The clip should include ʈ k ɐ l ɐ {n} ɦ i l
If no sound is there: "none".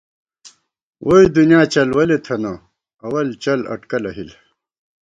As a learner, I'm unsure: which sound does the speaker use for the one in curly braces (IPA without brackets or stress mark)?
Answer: none